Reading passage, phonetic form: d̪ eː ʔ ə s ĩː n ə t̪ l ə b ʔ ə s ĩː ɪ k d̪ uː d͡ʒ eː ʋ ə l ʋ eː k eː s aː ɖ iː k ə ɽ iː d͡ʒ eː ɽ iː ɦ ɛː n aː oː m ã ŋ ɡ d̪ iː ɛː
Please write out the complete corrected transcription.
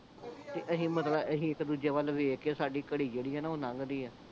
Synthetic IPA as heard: t̪ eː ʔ ə s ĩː m ə t̪ l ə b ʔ ə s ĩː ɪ k d̪ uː d͡ʒ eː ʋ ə l ʋ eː k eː s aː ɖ iː k ə ɽ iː d͡ʒ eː ɽ iː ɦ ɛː n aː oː n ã ŋ ɡ d̪ iː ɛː